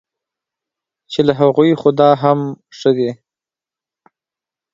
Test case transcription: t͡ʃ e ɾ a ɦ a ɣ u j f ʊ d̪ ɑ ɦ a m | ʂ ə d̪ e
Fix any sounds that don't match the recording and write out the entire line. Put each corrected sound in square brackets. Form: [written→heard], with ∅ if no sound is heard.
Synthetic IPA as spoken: t͡ʃ e [ɾ→l] a ɦ a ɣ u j [f→x] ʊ d̪ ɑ ɦ a m | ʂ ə d̪ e